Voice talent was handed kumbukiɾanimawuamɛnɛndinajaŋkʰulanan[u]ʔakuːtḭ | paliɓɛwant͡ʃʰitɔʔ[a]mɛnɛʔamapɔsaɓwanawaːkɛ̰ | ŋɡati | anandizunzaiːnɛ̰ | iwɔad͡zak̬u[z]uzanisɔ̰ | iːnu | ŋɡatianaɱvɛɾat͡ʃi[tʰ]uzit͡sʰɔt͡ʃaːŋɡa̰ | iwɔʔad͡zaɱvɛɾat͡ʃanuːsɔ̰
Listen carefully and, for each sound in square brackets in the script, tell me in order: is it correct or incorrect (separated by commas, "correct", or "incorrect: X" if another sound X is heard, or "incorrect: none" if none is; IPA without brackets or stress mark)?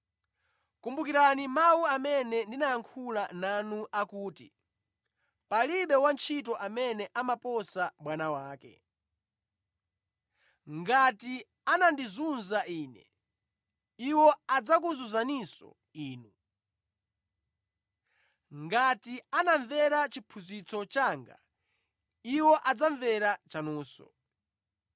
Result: correct, correct, correct, incorrect: pʰ